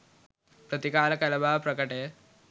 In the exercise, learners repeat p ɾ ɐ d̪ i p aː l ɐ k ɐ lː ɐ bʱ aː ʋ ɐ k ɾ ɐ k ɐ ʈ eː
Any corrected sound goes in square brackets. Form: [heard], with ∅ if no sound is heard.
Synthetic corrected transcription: p ɾ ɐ [t̪] i [k] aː l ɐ k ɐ [l] ɐ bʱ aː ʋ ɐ [p] ɾ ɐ k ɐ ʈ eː

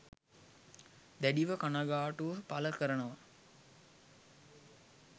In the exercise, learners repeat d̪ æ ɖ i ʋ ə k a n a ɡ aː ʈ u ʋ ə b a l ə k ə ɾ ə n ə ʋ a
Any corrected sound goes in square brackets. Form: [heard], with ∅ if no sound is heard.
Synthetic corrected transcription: d̪ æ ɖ i ʋ ə k a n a ɡ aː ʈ u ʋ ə [p] a l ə k ə ɾ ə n ə ʋ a

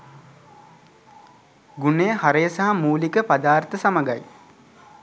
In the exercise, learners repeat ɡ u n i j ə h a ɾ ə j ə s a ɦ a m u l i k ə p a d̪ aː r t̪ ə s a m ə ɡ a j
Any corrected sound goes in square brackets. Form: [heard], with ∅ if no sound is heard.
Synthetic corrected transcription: ɡ u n [e] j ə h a ɾ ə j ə s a ɦ a m [uː] l i k ə p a d̪ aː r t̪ ə s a m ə ɡ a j

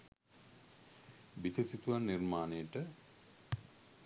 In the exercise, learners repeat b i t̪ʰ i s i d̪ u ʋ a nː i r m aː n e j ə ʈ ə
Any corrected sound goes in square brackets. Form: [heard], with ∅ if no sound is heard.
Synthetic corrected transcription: b i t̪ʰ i s i [t̪] u ʋ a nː i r m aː n e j ə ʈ ə

